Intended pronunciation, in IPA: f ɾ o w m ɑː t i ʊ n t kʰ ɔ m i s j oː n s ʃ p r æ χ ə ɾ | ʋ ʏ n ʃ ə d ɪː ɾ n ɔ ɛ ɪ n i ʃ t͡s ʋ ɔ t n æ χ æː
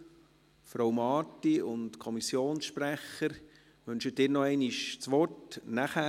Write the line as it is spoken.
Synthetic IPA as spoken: f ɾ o w m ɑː t i ʊ n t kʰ ɔ m i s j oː n s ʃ p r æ χ ə ɾ | ʋ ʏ n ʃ ə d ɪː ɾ n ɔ ɛ ɪ n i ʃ t͡s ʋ ɔ t n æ χ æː